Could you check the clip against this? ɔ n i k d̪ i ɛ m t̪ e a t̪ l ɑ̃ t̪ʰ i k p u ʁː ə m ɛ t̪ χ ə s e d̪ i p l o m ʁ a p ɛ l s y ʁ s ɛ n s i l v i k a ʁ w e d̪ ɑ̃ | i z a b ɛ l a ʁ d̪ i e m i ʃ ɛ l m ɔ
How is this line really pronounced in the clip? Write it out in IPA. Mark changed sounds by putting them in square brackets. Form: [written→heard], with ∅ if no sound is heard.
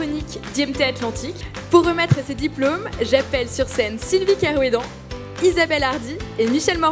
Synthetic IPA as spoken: ɔ n i k d̪ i ɛ m t̪ e a t̪ l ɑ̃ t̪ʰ i k p u ʁː ə m ɛ t̪ χ ə s e d̪ i p l o m [ʁ→ʒ] a p ɛ l s y ʁ s ɛ n s i l v i k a ʁ w e d̪ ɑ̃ | i z a b ɛ l a ʁ d̪ i e m i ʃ ɛ l m ɔ